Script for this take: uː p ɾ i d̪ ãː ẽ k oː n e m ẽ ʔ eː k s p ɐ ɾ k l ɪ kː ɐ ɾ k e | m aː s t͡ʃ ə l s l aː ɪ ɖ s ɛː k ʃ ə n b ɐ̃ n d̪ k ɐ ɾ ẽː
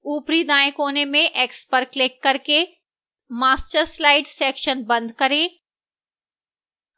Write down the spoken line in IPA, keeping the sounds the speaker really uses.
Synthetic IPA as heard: uː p ɾ i d̪ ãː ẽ k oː n e m ẽ ʔ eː k s p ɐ ɾ k l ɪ kː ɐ ɾ k e | m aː s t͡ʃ ə ɾ s l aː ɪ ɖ s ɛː k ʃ ə n b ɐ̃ n d̪ k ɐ ɾ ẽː